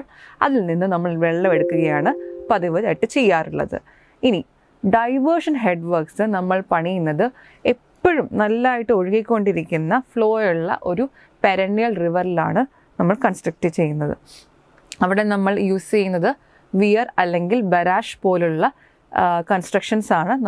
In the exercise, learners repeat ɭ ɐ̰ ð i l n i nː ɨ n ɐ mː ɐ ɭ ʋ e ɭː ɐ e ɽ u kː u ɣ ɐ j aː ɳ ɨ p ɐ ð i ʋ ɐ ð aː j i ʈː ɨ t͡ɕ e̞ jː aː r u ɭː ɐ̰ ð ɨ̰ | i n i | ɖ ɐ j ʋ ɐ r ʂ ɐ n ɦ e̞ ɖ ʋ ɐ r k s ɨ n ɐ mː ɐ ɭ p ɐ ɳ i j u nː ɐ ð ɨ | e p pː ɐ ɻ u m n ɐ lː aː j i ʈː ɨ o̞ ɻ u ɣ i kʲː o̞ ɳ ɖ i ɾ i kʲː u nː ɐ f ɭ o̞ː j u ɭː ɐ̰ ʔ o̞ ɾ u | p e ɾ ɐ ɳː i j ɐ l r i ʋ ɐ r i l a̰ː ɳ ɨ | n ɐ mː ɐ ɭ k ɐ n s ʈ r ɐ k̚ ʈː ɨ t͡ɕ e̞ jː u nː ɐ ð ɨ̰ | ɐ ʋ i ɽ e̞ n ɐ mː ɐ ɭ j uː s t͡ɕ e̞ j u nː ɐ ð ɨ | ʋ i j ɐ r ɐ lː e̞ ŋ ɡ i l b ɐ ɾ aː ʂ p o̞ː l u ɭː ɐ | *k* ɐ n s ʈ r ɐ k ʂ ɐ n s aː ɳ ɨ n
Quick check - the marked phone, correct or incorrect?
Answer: correct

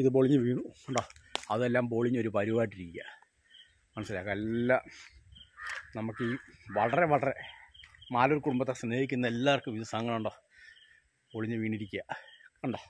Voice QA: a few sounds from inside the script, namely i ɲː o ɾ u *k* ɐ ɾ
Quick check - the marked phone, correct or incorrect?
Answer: incorrect: p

